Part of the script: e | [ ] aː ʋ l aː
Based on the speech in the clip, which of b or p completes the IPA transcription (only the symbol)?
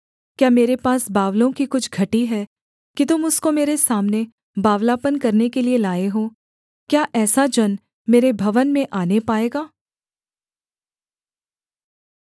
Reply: b